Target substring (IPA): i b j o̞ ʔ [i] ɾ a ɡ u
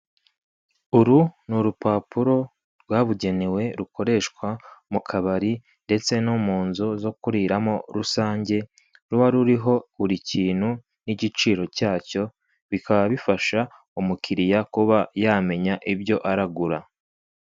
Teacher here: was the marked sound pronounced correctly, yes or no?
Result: no